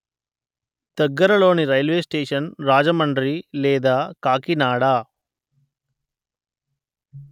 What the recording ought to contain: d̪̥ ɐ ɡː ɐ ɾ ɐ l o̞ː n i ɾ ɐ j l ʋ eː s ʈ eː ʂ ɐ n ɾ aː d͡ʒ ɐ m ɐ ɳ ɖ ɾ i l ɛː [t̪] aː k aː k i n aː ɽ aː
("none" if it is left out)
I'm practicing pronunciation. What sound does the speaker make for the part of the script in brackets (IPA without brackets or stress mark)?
d̪